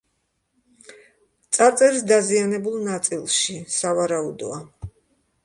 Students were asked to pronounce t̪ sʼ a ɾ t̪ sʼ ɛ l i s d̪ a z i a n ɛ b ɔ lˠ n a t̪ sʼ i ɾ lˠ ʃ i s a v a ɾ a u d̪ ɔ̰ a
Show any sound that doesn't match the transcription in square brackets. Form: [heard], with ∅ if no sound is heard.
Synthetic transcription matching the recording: t̪ sʼ a ɾ t̪ sʼ ɛ [ɾ] i s d̪ a z i a n ɛ b [u] lˠ n a t̪ sʼ i [∅] lˠ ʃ i s a v a ɾ a u d̪ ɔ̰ a

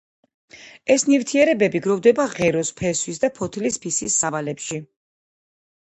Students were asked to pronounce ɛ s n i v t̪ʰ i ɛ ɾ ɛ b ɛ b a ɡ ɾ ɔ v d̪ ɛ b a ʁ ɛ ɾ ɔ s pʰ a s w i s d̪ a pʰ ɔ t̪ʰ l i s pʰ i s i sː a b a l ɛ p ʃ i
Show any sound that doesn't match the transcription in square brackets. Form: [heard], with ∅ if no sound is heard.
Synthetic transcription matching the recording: ɛ s n i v t̪ʰ i ɛ ɾ ɛ b ɛ b [i] ɡ ɾ ɔ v d̪ ɛ b a ʁ ɛ ɾ ɔ s pʰ [ɛ] s w i s d̪ a pʰ ɔ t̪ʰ l i s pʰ i s i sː a [v] a l ɛ p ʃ i

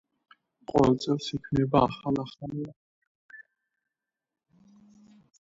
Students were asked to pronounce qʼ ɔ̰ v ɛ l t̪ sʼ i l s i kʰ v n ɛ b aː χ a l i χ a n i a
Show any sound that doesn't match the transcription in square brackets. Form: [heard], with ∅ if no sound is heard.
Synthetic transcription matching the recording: qʼ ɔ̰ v ɛ l t̪ sʼ [ɛ] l s i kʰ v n ɛ b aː χ a l [a] χ a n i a

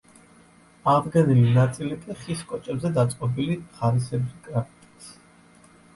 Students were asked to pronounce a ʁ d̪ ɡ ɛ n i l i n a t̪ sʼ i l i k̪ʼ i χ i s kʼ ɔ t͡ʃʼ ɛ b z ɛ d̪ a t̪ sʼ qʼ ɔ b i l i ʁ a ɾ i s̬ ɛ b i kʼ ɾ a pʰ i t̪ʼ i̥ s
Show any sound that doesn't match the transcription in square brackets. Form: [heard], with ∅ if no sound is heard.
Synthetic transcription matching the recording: a ʁ d̪ ɡ ɛ n i l i n a t̪ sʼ i l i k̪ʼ i χ i s kʼ ɔ t͡ʃʼ ɛ b z ɛ d̪ a t̪ sʼ qʼ ɔ b i l i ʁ a ɾ i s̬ ɛ b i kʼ ɾ a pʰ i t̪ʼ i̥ s

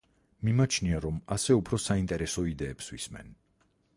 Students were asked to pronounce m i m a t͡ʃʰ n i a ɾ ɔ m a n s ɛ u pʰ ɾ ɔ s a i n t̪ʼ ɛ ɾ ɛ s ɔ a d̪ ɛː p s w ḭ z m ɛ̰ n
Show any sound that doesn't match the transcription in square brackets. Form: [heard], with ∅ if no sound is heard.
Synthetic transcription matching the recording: m i m a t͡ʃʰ n i a ɾ ɔ m a [∅] s ɛ u pʰ ɾ ɔ s a i n t̪ʼ ɛ ɾ ɛ s ɔ [i] d̪ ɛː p s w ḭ [s] m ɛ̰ n

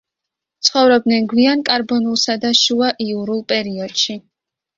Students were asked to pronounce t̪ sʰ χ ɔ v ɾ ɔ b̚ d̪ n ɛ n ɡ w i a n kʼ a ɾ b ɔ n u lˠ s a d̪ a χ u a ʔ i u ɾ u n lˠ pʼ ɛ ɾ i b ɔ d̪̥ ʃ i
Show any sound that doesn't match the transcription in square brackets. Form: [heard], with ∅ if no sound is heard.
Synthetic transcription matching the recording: t̪ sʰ χ ɔ v ɾ ɔ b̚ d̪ n ɛ n ɡ w i a n kʼ a ɾ b ɔ n u lˠ s a d̪ a [ʃ] u a ʔ i u ɾ u [∅] lˠ pʼ ɛ ɾ i [∅] ɔ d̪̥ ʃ i

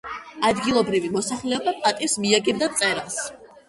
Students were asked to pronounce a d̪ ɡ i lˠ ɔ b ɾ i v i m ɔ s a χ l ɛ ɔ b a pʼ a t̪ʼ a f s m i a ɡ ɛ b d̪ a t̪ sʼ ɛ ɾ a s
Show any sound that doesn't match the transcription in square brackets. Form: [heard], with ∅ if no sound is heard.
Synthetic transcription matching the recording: a d̪ ɡ i lˠ ɔ b ɾ i v i m ɔ s a χ l ɛ ɔ b a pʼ a t̪ʼ [i] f s m i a ɡ ɛ b d̪ a t̪ sʼ ɛ ɾ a s

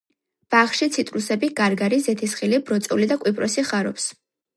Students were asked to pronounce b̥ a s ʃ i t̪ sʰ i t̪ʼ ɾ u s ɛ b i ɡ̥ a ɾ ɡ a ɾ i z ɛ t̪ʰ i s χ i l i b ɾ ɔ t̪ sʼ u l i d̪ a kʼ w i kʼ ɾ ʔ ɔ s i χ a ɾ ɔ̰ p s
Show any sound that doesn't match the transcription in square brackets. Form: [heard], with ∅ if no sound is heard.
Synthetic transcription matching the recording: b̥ a [χ] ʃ i t̪ sʰ i t̪ʼ ɾ u s ɛ b i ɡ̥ a ɾ ɡ a ɾ i z ɛ t̪ʰ i s χ i l i b ɾ ɔ t̪ sʼ u l i d̪ a kʼ w i [pʼ] ɾ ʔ ɔ s i χ a ɾ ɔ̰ p s

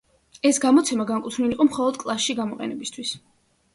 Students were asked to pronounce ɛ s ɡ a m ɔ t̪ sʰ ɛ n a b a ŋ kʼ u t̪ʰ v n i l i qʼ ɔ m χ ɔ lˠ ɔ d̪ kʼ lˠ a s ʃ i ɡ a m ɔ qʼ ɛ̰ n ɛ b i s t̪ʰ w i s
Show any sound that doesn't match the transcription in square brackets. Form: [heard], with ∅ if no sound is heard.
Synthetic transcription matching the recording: ɛ s ɡ a m ɔ t̪ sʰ ɛ [m] a [ɡ] a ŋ kʼ u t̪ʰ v n i l i qʼ ɔ m χ ɔ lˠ ɔ d̪ kʼ lˠ a s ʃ i ɡ a m ɔ qʼ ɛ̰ n ɛ b i s t̪ʰ w i s

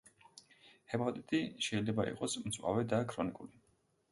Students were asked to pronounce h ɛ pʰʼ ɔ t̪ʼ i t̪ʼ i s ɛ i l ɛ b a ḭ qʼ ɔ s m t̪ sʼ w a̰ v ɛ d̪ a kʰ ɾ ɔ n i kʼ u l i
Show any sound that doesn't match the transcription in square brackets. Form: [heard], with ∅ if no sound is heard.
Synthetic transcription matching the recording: h ɛ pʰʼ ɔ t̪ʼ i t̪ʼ i [ʃ] ɛ i l ɛ b a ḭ qʼ ɔ s m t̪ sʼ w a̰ v ɛ d̪ a kʰ ɾ ɔ n i kʼ u l i

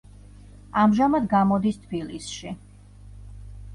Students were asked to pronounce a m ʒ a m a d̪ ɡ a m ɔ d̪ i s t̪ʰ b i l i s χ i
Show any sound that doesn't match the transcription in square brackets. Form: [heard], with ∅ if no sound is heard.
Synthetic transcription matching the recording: a m ʒ a m a d̪ ɡ a m ɔ d̪ i s t̪ʰ b i l i s [ʃ] i

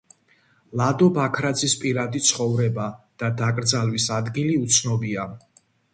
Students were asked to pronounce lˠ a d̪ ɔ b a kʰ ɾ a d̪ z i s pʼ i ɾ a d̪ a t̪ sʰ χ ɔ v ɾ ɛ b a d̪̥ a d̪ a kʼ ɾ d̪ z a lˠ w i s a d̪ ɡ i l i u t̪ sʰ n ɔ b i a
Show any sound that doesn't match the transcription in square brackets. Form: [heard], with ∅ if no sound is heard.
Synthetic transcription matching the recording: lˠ a d̪ ɔ b a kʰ ɾ a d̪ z i s pʼ i ɾ a d̪ [i] t̪ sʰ χ ɔ v ɾ ɛ b a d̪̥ a d̪ a kʼ ɾ d̪ z a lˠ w i s a d̪ ɡ i l i u t̪ sʰ n ɔ b i a

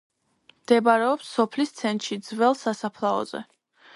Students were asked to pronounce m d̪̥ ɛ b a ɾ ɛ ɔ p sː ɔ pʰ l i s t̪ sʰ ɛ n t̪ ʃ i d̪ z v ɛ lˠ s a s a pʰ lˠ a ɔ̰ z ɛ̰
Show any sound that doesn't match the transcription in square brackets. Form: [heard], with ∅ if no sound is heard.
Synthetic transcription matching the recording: m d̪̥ ɛ b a ɾ ɛ ɔ p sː ɔ pʰ l i s t̪ sʰ ɛ n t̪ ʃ i d̪ z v ɛ lˠ s a s a pʰ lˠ a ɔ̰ z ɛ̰

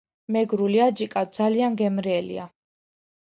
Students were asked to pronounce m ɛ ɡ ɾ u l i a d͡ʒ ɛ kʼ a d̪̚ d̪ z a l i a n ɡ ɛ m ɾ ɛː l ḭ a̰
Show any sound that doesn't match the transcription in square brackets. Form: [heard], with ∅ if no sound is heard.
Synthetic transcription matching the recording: m ɛ ɡ ɾ u l i a d͡ʒ [i] kʼ a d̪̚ d̪ z a l i a n ɡ ɛ m ɾ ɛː l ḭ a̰

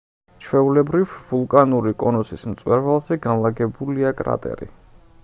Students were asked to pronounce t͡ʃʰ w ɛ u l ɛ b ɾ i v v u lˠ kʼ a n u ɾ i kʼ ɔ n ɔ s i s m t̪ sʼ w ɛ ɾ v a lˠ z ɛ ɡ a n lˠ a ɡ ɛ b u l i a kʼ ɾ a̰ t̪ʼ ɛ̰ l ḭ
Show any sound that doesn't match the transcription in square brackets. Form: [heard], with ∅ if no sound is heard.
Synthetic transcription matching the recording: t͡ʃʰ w ɛ u l ɛ b ɾ i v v u lˠ kʼ a n u ɾ i kʼ ɔ n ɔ s i s m t̪ sʼ w ɛ ɾ v a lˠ z ɛ ɡ a n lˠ a ɡ ɛ b u l i a kʼ ɾ a̰ t̪ʼ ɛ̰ [ɾ] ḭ

